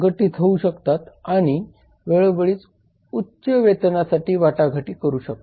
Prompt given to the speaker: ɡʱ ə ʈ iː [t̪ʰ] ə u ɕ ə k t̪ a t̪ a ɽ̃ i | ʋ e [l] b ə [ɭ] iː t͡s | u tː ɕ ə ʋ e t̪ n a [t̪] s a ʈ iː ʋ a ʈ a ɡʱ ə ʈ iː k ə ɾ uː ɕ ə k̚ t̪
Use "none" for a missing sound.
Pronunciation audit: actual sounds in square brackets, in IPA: t̪ʰ, ɭ, ɭ, none

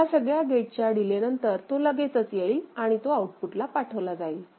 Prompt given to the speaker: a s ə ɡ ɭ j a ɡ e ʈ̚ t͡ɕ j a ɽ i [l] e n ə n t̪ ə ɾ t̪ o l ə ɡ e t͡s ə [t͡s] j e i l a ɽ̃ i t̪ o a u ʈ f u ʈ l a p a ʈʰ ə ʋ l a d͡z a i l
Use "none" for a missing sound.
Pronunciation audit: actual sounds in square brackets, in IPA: l, t͡s

